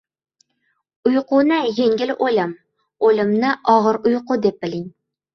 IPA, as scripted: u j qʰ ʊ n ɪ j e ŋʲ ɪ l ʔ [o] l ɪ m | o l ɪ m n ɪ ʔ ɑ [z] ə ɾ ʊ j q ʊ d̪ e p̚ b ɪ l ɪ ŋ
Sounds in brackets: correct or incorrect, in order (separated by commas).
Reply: correct, incorrect